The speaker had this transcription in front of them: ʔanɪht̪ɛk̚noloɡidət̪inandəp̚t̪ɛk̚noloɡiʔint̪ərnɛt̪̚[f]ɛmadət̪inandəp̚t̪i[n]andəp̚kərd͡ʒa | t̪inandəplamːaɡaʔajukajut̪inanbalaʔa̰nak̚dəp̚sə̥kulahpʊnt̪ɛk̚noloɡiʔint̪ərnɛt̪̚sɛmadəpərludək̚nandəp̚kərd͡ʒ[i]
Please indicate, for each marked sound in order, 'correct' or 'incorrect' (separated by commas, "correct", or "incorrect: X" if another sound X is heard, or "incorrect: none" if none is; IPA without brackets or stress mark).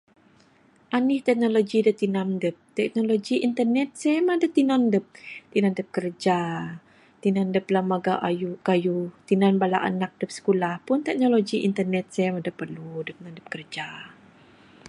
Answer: incorrect: s, correct, incorrect: a